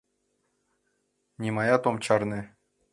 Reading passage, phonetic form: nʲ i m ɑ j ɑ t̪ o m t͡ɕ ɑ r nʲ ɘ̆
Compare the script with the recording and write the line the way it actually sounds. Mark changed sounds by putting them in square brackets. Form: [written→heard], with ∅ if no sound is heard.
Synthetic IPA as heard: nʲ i m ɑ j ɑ t̪ o m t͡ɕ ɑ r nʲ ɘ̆